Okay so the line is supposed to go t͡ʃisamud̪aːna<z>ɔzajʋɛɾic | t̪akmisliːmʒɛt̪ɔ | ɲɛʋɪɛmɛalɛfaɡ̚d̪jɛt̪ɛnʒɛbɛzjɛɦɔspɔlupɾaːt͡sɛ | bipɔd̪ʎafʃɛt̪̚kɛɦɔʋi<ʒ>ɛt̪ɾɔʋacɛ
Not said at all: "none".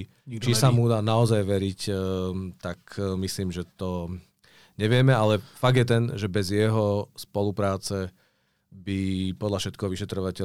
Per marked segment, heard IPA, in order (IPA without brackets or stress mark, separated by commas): none, ʃ